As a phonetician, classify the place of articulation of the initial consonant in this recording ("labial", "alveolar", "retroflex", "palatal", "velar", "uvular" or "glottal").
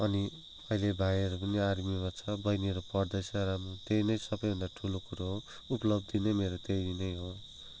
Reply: alveolar